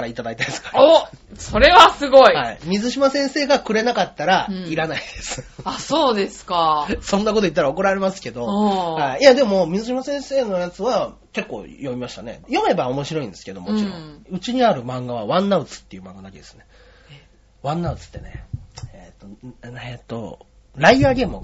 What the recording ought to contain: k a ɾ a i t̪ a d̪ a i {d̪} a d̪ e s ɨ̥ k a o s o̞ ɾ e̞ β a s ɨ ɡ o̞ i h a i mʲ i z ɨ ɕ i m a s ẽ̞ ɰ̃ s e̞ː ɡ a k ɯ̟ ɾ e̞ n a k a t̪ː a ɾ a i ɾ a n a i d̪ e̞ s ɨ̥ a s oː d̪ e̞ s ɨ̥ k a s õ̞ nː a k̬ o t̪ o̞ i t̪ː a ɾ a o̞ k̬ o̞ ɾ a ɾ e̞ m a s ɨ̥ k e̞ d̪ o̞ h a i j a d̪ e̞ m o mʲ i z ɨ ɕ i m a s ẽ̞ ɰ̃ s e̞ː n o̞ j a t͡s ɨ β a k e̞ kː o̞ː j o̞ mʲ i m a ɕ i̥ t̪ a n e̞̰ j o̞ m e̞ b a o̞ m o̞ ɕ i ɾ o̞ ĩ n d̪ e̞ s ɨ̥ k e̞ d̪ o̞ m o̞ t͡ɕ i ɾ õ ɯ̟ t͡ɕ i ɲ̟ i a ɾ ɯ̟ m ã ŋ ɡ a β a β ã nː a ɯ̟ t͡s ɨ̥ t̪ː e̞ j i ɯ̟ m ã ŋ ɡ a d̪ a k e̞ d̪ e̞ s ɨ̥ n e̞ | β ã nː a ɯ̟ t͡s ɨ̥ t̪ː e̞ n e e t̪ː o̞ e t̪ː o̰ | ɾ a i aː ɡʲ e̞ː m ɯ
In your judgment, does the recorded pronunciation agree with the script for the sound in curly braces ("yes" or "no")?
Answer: no